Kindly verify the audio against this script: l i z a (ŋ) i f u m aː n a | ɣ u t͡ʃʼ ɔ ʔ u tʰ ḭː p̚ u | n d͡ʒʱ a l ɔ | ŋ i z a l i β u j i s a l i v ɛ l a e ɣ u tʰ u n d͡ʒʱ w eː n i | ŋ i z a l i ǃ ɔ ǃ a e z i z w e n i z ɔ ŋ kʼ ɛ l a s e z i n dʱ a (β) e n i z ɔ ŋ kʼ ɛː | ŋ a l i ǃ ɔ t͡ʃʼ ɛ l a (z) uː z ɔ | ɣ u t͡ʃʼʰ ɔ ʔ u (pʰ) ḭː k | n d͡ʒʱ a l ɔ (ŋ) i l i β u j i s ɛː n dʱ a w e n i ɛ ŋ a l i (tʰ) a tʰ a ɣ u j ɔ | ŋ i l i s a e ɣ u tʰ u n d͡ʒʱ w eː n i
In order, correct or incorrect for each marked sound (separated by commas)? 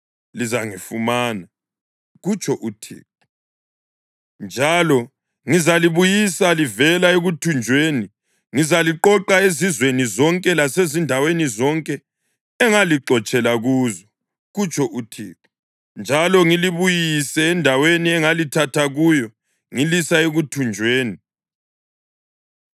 correct, incorrect, incorrect, incorrect, correct, correct